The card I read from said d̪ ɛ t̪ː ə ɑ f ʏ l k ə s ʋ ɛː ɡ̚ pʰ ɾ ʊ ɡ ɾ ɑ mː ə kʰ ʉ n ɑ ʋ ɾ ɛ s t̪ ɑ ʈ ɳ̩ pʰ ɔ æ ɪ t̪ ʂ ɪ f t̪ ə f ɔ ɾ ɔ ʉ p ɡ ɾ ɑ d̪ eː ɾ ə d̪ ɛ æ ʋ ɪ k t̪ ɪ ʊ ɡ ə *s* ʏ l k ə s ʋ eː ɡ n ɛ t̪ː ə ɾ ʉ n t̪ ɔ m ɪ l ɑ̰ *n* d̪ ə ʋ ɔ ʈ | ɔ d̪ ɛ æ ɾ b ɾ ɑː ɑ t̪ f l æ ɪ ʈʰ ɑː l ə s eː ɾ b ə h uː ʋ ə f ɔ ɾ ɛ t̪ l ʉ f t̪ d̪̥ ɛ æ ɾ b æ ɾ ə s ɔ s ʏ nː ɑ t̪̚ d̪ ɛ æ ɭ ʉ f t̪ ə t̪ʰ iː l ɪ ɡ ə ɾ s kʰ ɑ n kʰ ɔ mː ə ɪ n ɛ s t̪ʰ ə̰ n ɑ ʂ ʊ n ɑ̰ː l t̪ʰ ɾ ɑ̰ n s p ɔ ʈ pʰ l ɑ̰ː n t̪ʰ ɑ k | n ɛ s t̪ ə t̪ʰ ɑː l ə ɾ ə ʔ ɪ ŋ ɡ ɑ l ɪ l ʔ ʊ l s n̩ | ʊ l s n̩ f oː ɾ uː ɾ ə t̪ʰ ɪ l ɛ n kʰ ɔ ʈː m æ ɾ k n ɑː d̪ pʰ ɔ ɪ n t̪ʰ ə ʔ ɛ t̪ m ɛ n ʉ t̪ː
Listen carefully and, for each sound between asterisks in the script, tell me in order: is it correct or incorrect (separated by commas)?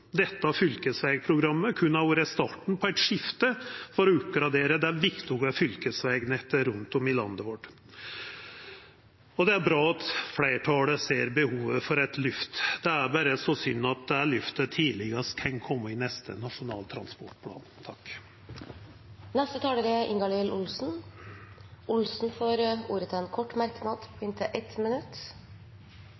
incorrect, correct